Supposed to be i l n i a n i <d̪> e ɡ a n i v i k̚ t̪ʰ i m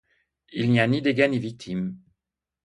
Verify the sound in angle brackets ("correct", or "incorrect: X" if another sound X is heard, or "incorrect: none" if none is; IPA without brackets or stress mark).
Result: correct